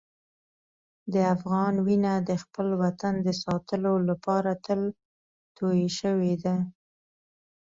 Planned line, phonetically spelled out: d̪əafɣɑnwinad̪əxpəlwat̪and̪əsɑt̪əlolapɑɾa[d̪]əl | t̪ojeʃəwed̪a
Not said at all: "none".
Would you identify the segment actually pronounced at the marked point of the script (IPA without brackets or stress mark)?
t̪